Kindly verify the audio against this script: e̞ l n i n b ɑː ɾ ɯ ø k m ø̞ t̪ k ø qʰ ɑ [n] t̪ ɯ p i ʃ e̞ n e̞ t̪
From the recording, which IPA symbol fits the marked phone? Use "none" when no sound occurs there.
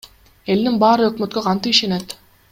n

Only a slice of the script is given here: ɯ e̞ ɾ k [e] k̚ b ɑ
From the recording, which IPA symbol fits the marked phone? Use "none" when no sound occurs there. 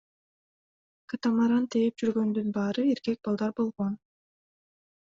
e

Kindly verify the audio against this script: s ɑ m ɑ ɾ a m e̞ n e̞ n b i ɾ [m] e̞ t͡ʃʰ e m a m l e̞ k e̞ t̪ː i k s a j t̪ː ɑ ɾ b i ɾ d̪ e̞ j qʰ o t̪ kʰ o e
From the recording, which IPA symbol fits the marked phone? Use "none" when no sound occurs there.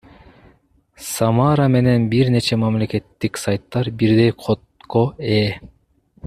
n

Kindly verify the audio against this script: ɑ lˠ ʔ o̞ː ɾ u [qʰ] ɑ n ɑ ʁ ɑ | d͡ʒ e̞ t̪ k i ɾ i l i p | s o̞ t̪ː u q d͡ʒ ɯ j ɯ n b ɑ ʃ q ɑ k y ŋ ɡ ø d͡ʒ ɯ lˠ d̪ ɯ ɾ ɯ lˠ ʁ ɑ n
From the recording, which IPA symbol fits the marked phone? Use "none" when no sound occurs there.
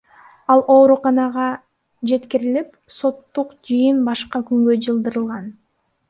q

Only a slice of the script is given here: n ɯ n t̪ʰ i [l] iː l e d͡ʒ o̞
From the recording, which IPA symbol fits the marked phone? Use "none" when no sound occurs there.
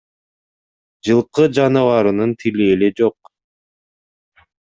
l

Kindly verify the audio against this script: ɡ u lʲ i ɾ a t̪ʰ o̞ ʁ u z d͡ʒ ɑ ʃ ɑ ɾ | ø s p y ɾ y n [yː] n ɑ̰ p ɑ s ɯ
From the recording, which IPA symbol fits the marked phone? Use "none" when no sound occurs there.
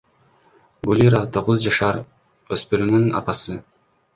y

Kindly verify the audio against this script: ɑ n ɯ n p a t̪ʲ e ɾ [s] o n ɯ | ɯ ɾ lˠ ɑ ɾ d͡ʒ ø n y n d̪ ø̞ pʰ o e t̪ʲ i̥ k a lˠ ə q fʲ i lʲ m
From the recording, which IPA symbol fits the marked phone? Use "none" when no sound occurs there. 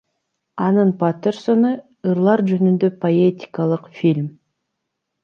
s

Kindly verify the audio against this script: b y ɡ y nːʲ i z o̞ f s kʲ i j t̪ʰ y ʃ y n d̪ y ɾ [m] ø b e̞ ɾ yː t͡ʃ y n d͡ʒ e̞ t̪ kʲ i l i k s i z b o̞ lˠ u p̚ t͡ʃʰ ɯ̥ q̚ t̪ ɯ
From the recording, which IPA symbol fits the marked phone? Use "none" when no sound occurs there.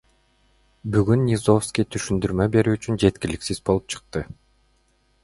m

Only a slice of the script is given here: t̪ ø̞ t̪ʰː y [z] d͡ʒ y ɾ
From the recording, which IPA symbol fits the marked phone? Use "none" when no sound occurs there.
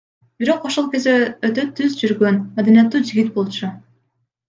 z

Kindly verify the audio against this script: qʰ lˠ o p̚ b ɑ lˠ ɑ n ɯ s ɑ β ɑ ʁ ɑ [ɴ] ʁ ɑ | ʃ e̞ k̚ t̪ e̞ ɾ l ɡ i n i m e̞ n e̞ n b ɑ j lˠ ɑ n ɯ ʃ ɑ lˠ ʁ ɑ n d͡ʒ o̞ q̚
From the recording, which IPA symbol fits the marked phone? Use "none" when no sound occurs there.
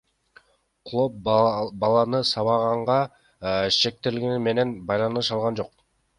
ɴ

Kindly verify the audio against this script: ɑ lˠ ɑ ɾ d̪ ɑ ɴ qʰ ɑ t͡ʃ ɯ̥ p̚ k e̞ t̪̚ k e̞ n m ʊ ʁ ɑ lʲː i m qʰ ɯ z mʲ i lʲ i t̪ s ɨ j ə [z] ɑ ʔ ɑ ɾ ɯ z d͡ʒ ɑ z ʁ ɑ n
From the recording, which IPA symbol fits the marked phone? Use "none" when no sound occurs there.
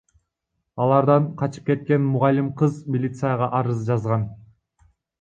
ʁ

